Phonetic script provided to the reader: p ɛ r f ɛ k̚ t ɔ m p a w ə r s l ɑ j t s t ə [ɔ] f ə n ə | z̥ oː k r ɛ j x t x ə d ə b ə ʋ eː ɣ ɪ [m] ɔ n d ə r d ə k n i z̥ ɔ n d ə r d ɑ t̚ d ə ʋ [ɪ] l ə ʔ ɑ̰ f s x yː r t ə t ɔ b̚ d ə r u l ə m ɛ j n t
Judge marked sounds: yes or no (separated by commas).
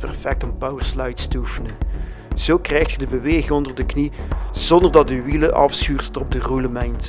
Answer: no, no, no